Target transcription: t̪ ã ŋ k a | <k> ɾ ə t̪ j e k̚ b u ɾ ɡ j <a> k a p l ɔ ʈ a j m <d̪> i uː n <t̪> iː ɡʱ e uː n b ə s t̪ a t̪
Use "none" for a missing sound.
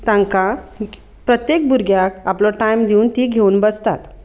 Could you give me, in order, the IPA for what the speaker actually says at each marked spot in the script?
p, a, d̪, t̪

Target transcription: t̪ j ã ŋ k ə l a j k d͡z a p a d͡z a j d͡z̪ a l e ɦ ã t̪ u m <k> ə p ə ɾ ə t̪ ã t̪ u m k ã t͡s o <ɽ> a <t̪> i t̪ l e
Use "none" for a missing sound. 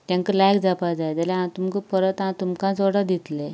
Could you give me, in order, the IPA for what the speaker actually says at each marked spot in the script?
k, ɽ, d̪

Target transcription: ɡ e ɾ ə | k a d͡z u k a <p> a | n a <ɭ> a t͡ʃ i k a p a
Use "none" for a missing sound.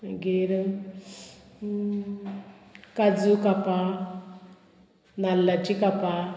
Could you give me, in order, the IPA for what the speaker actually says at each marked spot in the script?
p, l

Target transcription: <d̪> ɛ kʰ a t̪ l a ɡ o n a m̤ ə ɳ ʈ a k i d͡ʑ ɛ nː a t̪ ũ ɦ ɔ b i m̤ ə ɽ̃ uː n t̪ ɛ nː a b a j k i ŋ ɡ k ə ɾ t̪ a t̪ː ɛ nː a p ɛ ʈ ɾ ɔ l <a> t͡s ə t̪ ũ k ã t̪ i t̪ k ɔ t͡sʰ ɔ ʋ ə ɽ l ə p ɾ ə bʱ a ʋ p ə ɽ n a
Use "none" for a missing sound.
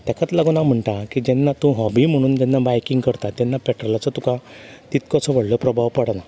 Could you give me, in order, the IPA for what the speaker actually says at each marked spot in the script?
t̪, a

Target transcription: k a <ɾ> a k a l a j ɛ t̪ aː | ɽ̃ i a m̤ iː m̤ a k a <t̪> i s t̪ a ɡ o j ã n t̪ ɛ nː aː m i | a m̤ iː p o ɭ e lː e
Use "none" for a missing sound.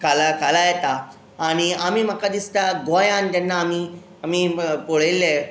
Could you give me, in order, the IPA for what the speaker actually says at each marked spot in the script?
l, d̪

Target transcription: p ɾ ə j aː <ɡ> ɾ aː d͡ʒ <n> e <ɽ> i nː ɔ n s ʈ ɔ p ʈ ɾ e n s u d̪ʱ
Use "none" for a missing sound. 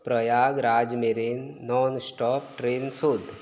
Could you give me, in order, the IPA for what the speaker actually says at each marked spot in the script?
ɡ, m, ɾ

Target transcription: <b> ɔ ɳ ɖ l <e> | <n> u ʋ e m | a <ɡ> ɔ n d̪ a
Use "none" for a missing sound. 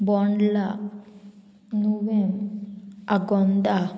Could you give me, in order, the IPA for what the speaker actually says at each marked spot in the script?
b, a, n, ɡ

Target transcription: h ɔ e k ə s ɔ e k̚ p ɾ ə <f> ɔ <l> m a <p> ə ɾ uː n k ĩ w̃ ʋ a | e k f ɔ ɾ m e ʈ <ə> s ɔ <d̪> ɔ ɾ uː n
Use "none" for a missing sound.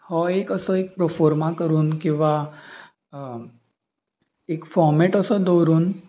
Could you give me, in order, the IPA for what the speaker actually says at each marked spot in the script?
f, ɾ, k, ə, d̪

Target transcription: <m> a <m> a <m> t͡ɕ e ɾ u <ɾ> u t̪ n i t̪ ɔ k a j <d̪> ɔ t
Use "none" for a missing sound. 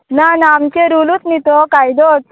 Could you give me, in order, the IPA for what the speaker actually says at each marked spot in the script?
n, n, m, l, d̪

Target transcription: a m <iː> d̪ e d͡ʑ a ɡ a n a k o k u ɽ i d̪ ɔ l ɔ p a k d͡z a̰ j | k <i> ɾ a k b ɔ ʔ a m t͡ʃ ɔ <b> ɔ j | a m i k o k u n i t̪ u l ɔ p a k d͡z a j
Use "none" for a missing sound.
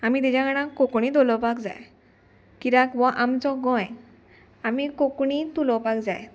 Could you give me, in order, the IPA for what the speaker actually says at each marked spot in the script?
i, i, ɡ

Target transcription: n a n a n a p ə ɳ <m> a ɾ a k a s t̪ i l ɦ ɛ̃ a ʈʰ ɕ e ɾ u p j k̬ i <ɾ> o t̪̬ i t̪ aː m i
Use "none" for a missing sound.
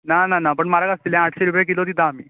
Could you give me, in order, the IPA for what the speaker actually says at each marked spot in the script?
m, l

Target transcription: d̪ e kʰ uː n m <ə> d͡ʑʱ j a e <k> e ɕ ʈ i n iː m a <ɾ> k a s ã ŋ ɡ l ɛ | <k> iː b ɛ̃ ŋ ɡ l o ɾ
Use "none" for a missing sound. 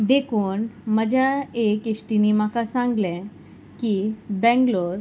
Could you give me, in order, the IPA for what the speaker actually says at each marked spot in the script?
ə, k, none, k

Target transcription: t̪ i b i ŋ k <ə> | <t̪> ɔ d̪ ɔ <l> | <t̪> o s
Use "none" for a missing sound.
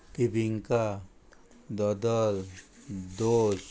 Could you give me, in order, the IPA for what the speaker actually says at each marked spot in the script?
a, d̪, l, d̪

